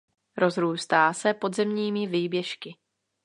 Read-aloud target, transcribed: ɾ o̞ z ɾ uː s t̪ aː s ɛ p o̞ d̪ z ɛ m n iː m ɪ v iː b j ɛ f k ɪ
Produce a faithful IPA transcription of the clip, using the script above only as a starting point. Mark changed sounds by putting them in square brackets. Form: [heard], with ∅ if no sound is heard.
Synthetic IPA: ɾ o̞ z ɾ uː s t̪ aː s ɛ p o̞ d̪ z ɛ m [ɲ] iː m ɪ v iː b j ɛ [ʃ] k ɪ

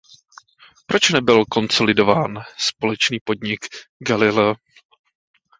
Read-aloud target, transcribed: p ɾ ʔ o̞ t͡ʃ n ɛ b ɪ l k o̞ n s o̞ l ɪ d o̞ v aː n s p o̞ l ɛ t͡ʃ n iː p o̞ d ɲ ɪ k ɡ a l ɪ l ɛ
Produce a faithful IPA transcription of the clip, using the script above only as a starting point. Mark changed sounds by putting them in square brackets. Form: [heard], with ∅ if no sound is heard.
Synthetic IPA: p ɾ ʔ o̞ t͡ʃ n ɛ b ɪ l k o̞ n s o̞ l ɪ d o̞ v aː n s p o̞ l ɛ t͡ʃ n iː p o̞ d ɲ ɪ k ɡ a l ɪ l ɛ

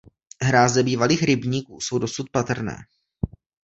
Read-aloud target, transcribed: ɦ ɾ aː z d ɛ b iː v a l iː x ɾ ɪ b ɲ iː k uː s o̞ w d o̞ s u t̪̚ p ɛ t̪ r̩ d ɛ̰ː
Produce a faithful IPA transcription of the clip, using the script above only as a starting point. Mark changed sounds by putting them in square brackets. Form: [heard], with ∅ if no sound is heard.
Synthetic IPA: ɦ ɾ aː z d ɛ b iː v a l iː x ɾ ɪ b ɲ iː k uː s o̞ w d o̞ s u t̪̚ p [a] t̪ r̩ [n] ɛ̰ː

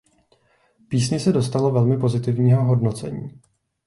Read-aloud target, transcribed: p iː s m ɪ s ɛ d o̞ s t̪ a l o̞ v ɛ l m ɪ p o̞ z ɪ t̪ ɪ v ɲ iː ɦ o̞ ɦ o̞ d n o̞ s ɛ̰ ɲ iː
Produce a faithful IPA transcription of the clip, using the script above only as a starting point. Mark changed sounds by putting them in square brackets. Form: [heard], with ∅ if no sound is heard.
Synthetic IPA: p iː s [ɲ] ɪ s ɛ d o̞ s t̪ a l o̞ v ɛ l m ɪ p o̞ z ɪ t̪ ɪ v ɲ iː ɦ o̞ ɦ o̞ d n o̞ [t͡s] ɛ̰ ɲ iː

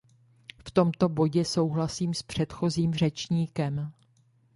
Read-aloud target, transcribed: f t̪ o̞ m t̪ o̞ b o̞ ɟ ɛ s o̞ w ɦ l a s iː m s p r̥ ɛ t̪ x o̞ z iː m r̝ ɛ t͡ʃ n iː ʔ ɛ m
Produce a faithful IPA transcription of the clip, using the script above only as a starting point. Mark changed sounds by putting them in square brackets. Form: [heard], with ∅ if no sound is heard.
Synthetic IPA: f t̪ o̞ m t̪ o̞ b o̞ ɟ ɛ s o̞ w ɦ l a s iː m s p r̥ ɛ t̪ x o̞ z iː m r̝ ɛ t͡ʃ [ɲ] iː [k] ɛ m

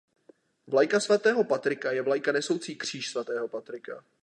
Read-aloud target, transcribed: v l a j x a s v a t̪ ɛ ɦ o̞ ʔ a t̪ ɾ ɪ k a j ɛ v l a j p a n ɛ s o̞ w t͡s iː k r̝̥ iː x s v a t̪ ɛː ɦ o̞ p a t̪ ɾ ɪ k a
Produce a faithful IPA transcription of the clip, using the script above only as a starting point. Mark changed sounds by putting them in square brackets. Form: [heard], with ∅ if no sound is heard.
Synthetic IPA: v l a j [k] a s v a t̪ [ɛː] ɦ o̞ [p] a t̪ ɾ ɪ k a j ɛ v l a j [k] a n ɛ s o̞ w t͡s iː k r̝̥ iː [ʃ] s v a t̪ ɛː ɦ o̞ p a t̪ ɾ ɪ k a

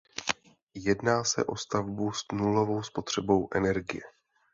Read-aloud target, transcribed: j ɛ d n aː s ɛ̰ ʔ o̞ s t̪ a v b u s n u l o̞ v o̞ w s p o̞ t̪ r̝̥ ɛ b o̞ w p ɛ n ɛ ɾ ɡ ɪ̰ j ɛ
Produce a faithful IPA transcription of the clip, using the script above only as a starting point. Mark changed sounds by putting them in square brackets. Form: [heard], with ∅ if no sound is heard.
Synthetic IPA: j ɛ d n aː s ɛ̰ ʔ o̞ s t̪ a v b u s n u l o̞ v o̞ w s p o̞ t̪ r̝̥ ɛ b o̞ w [ʔ] ɛ n ɛ ɾ ɡ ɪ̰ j ɛ

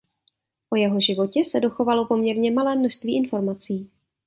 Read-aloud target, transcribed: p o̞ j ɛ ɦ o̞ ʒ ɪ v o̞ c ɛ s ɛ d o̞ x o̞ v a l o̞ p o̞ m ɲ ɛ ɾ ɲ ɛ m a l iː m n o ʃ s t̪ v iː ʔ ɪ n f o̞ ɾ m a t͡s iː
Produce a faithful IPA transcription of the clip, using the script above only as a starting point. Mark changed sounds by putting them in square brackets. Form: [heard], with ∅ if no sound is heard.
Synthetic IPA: [ʔ] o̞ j ɛ ɦ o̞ ʒ ɪ v o̞ c ɛ s ɛ d o̞ x o̞ v a l o̞ p o̞ m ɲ ɛ ɾ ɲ ɛ m a l [ɛː] m n o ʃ s t̪ v iː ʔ ɪ n f o̞ ɾ m a t͡s iː

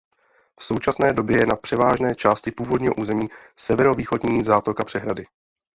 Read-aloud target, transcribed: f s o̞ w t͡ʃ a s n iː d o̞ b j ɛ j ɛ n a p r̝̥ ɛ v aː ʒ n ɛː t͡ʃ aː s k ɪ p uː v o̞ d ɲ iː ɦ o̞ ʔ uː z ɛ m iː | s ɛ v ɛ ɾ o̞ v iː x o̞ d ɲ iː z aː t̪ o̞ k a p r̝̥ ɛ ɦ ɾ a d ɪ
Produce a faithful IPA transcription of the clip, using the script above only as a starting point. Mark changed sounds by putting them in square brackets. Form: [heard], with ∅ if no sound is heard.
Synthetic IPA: f s o̞ w t͡ʃ a s n [ɛː] d o̞ b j ɛ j ɛ n a p r̝̥ ɛ v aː ʒ n ɛː t͡ʃ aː s [c] ɪ p uː v o̞ d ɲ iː ɦ o̞ ʔ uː z ɛ m iː | s ɛ v ɛ ɾ o̞ v iː x o̞ d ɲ iː z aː t̪ o̞ k a p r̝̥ ɛ ɦ ɾ a d ɪ

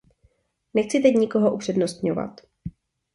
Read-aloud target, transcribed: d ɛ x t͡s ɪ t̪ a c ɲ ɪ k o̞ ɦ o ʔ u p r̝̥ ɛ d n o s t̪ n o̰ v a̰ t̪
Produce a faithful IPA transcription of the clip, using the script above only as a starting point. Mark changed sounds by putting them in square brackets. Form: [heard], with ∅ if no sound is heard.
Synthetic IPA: [n] ɛ x t͡s ɪ t̪ [ɛ] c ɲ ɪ k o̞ ɦ o ʔ u p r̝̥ ɛ d n o s t̪ [ɲ] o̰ v a̰ t̪

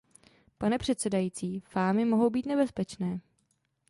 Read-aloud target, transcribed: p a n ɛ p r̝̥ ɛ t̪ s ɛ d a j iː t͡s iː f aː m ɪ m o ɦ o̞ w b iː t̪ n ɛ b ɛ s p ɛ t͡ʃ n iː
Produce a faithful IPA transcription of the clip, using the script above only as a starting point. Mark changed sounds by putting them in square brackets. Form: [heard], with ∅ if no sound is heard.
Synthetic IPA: p a n ɛ p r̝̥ ɛ t̪ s ɛ d a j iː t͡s iː f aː m ɪ m o ɦ o̞ w b iː t̪ n ɛ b ɛ s p ɛ t͡ʃ n [ɛː]

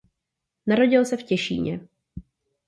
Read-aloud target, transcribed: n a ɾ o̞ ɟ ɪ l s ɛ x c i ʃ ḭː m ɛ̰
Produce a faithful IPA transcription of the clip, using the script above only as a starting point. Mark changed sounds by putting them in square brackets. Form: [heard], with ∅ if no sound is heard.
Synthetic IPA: n a ɾ o̞ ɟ ɪ l s ɛ [f] c [ɛ] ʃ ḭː [ɲ] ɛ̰

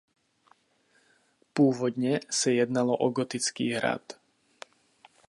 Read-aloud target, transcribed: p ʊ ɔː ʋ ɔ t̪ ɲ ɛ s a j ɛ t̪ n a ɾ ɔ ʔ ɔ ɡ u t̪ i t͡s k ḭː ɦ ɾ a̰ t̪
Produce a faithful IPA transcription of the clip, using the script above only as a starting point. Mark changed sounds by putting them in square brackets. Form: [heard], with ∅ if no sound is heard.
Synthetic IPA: p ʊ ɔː ʋ ɔ [d̪] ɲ ɛ s a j ɛ [d̪] n a [l] ɔ ʔ ɔ ɡ [ɔ] t̪ i t͡s k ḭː ɦ ɾ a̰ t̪

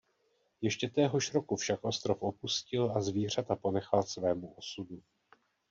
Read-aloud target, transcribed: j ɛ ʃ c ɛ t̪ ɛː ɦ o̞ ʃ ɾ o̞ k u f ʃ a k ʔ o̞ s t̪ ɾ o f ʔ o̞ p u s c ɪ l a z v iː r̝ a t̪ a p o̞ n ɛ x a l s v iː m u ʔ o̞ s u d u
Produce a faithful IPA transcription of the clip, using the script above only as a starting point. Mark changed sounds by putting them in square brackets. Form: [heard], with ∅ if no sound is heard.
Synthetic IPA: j ɛ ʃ c ɛ t̪ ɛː ɦ o̞ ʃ ɾ o̞ k u f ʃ a k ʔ o̞ s t̪ ɾ o f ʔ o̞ p u s c ɪ l a z v iː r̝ a t̪ a p o̞ n ɛ x a l s v [ɛː] m u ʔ o̞ s u d u

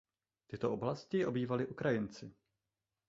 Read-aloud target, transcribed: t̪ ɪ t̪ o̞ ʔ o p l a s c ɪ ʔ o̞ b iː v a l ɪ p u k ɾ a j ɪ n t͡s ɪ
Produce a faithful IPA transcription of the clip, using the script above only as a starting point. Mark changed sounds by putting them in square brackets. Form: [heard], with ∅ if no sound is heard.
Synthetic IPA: t̪ ɪ t̪ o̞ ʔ o [b] l a s c ɪ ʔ o̞ b iː v a l ɪ [ʔ] u k ɾ a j ɪ n t͡s ɪ

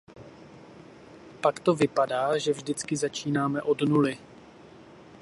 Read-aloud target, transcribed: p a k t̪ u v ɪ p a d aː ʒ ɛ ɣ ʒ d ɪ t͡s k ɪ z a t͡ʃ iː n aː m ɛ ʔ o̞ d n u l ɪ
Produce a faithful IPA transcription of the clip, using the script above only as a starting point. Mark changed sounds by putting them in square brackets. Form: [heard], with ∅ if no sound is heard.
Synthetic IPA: p a k t̪ [o] v ɪ p a d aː ʒ ɛ [v] ʒ d ɪ t͡s k ɪ z a t͡ʃ iː n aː m ɛ ʔ o̞ d n u l ɪ

